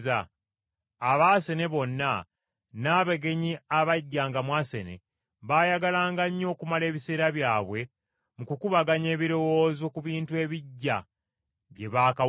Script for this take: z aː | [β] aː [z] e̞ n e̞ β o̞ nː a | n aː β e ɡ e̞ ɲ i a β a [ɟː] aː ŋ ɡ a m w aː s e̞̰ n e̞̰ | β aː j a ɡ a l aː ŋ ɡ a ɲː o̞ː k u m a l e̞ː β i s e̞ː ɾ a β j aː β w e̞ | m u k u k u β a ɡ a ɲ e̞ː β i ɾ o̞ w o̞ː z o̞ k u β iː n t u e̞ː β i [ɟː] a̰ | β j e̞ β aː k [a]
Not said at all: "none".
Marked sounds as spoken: β, s, ɟː, ɟː, a

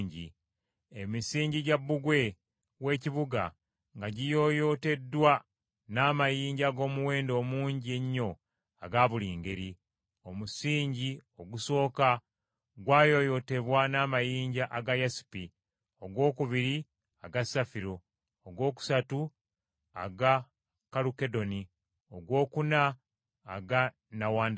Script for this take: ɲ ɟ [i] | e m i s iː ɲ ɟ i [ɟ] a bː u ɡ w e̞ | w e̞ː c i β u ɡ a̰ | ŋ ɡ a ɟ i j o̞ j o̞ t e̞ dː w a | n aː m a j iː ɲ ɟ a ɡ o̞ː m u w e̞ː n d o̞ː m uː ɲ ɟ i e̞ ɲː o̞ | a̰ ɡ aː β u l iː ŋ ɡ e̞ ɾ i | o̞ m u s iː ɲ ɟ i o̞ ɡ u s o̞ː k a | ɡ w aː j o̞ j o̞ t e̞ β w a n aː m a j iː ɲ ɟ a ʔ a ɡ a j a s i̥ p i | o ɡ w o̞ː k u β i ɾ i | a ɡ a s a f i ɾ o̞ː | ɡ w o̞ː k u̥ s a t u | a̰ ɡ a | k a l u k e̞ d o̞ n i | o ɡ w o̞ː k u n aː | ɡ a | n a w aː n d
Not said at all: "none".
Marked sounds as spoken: i, ɟ

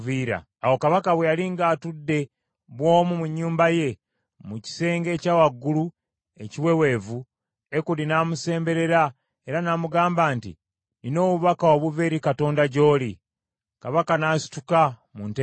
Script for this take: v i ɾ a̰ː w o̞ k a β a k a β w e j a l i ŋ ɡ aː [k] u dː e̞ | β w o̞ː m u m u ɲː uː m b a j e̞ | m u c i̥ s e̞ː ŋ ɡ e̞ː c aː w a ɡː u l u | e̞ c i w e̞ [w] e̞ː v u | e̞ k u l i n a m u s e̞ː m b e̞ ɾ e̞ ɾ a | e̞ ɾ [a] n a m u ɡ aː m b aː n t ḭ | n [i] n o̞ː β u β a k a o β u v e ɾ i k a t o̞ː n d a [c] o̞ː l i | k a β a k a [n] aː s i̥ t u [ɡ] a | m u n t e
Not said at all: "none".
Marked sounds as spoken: t, w, a, i, ɟ, n, k

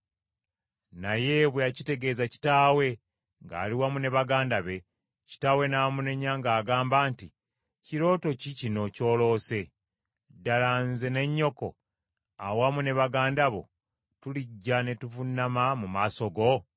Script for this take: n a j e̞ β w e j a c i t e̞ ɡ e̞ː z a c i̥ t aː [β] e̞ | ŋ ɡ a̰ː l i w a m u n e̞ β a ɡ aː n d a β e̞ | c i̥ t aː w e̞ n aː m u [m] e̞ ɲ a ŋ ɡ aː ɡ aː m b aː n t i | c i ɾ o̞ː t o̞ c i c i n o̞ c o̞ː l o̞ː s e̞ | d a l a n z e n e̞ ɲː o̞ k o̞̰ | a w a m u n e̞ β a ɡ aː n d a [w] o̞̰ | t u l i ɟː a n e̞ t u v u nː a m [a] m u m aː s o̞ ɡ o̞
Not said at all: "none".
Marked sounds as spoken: w, n, β, a

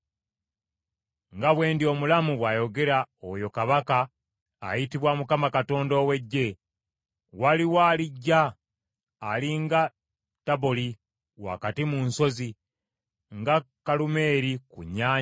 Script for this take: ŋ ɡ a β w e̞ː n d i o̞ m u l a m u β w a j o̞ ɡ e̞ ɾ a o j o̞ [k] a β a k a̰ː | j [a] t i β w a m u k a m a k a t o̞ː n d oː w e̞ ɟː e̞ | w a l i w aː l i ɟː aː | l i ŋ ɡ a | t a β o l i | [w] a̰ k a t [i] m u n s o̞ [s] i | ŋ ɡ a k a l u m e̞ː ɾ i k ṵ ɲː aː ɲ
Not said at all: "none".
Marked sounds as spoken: k, i, w, i, z

